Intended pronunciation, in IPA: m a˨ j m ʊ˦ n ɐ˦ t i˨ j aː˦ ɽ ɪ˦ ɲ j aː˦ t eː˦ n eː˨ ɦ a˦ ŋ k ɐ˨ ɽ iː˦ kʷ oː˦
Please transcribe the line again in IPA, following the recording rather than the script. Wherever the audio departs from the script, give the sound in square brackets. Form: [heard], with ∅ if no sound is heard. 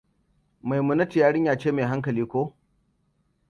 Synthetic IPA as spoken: m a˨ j m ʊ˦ n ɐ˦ t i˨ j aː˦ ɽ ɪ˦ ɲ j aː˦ [t͡ʃ] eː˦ [m] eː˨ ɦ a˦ ŋ k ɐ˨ [l] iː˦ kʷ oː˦

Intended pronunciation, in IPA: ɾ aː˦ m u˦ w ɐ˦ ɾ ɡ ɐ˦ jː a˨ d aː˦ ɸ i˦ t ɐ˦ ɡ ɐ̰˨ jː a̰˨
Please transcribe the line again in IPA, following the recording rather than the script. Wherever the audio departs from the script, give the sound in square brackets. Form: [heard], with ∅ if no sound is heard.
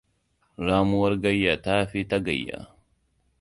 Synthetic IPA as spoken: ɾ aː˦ m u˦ w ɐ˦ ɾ ɡ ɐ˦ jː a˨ [t] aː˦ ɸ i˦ t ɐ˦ ɡ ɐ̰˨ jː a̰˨

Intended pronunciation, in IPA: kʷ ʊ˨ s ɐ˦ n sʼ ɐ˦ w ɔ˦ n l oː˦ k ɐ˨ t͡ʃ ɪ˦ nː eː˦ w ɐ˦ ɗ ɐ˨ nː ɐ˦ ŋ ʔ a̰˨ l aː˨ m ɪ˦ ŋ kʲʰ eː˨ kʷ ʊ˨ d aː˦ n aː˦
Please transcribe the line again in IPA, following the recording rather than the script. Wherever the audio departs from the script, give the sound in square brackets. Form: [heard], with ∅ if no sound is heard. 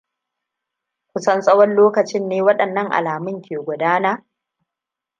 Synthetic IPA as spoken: kʷ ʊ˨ s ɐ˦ n sʼ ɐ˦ w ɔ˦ n l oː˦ k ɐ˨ t͡ʃ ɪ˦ nː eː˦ w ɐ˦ ɗ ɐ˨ nː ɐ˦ ŋ ʔ a̰˨ l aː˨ m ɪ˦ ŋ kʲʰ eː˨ [ɡʷ] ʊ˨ d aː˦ n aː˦

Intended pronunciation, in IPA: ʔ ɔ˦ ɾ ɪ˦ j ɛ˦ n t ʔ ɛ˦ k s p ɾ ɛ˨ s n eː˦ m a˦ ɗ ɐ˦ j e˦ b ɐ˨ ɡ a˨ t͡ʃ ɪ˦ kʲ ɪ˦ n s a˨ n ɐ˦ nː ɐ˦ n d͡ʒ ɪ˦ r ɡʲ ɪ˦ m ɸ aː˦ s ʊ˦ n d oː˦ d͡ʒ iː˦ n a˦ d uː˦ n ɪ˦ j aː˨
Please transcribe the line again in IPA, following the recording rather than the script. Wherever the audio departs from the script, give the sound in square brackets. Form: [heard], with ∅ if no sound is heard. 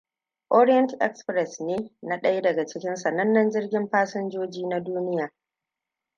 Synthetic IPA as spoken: ʔ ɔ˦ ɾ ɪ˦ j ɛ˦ n t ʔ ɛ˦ k s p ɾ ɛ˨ s n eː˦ [n] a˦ ɗ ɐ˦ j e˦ [d] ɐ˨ ɡ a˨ t͡ʃ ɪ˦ kʲ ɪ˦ n s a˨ n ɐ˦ nː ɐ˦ n d͡ʒ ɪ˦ r ɡʲ ɪ˦ m ɸ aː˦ s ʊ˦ n [d͡ʒ] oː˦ d͡ʒ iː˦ n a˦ d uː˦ n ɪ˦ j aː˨

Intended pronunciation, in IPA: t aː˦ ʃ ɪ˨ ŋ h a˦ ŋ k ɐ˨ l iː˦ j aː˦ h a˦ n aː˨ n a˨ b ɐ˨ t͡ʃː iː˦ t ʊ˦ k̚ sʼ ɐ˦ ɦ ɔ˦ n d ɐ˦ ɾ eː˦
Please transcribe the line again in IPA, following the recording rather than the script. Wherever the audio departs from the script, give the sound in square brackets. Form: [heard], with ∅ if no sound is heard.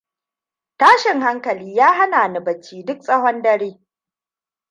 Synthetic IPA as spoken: t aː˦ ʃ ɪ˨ ŋ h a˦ ŋ k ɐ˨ l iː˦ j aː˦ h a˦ n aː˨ n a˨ b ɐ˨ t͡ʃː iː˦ [d] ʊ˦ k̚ sʼ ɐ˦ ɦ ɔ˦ n d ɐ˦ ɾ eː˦

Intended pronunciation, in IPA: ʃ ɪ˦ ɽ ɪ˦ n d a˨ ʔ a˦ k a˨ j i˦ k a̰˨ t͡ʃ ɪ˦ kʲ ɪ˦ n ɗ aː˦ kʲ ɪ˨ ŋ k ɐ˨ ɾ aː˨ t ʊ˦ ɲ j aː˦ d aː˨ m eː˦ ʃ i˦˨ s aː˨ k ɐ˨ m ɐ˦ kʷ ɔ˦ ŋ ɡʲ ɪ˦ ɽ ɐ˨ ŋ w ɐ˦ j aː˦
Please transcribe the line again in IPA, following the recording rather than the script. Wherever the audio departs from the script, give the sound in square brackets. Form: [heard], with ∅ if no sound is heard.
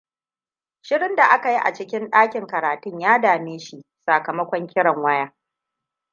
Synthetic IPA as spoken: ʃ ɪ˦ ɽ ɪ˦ n d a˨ ʔ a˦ k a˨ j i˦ [ʔ] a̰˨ t͡ʃ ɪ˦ kʲ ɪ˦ n ɗ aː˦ kʲ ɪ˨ ŋ k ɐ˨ ɾ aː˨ t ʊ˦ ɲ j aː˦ d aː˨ m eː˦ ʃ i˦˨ s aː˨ k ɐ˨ m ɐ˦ kʷ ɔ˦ ŋ [kʲ] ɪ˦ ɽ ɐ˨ ŋ w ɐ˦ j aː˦

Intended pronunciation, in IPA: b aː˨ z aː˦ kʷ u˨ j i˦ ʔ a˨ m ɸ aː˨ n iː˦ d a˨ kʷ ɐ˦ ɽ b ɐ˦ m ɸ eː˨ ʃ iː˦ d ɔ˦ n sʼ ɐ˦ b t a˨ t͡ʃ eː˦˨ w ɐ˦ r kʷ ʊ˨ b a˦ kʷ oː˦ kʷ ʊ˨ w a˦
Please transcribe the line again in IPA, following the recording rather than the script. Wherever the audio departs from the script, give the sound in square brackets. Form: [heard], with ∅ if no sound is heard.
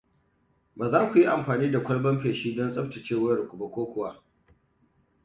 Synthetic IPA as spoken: b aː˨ z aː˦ kʷ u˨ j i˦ ʔ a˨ m ɸ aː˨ n iː˦ d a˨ kʷ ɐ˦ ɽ b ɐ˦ m ɸ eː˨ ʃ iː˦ d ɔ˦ n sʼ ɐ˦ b t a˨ t͡ʃ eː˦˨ w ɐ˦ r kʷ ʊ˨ b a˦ kʷ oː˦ kʷ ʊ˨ w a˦

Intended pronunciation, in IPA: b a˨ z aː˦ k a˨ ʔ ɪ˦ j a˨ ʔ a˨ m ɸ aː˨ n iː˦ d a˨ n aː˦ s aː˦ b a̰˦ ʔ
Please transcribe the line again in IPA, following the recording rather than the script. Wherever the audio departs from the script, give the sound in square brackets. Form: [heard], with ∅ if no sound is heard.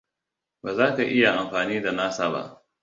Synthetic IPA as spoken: b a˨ z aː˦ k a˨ ʔ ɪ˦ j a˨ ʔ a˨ m ɸ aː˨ n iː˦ d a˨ n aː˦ s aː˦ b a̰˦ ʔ

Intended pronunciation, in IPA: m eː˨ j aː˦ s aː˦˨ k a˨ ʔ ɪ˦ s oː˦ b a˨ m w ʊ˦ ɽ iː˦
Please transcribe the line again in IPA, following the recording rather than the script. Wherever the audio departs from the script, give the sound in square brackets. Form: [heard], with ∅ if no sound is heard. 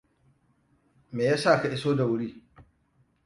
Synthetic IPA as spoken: m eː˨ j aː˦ s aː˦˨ k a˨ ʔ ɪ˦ s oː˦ [d] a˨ [∅] w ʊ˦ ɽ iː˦

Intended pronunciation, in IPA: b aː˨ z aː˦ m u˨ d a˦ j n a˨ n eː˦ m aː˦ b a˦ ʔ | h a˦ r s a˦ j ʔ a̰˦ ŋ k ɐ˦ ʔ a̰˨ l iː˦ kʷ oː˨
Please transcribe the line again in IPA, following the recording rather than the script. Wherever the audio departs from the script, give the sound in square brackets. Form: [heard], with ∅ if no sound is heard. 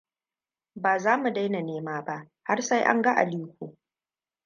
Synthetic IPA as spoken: b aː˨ z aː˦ m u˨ d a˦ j n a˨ n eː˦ m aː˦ b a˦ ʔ | h a˦ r s a˦ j ʔ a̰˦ ŋ [ɡ] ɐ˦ ʔ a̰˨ l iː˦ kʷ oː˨

